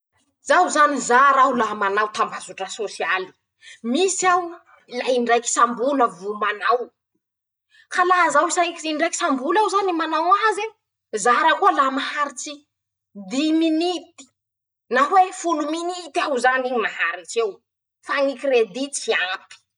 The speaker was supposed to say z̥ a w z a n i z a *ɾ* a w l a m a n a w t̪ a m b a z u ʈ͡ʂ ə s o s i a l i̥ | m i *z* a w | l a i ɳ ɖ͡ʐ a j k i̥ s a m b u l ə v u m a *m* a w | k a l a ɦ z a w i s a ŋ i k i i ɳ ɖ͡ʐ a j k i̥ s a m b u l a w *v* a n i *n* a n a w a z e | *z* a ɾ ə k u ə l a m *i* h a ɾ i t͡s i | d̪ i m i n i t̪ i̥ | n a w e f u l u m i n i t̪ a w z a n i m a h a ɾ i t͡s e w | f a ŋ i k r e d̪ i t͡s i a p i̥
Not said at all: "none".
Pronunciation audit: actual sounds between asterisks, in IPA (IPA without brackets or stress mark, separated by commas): ɾ, s, n, z, m, z, a